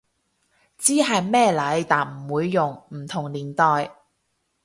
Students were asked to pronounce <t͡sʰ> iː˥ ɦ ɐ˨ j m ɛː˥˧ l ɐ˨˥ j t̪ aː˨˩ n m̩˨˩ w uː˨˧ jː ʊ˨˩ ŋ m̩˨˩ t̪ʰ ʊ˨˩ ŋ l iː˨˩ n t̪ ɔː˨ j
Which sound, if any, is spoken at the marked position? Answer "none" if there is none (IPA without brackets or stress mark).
t͡s